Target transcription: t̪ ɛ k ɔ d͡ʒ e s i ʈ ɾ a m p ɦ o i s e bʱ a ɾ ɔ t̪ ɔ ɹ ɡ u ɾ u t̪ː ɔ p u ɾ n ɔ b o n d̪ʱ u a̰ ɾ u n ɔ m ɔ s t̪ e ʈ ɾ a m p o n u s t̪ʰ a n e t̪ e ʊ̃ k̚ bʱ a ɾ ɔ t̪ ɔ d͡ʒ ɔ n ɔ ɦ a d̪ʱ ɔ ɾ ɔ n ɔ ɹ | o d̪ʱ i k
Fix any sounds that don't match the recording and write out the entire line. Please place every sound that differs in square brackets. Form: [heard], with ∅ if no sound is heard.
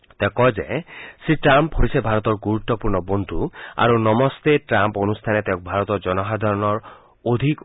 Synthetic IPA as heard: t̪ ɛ k ɔ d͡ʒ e s i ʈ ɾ a m p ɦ o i s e bʱ a ɾ ɔ t̪ ɔ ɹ ɡ u ɾ u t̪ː ɔ p u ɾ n ɔ b o n d̪ʱ u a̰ ɾ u n ɔ m ɔ s t̪ e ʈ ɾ a m p o n u s t̪ʰ a n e t̪ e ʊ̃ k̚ bʱ a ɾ ɔ t̪ ɔ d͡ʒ ɔ n ɔ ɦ a d̪ʱ ɔ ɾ ɔ n ɔ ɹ | o d̪ʱ i k